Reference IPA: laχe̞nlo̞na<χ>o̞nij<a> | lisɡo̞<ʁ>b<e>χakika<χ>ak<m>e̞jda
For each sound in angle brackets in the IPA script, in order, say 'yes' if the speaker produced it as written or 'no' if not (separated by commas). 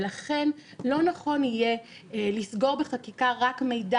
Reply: yes, no, yes, yes, no, yes